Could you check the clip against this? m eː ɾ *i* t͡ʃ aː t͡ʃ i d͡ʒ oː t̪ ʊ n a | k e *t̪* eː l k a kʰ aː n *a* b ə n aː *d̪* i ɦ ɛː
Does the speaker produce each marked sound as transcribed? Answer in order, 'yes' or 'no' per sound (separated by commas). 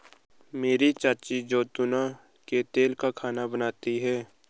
yes, yes, yes, no